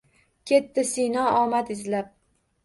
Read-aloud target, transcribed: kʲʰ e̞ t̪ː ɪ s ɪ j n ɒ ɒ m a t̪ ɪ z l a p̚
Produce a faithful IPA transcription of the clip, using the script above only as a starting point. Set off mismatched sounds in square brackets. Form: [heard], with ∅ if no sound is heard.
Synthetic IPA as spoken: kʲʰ e̞ t̪ː ɪ s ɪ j n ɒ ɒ m a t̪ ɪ z l a p̚